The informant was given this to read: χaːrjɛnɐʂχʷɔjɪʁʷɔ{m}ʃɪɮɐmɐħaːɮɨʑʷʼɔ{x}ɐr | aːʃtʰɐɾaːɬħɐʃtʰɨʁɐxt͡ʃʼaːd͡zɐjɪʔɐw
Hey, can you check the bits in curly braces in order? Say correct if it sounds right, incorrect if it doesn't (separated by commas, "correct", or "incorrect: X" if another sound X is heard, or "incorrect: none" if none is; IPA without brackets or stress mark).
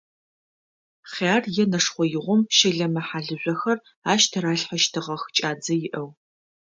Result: correct, correct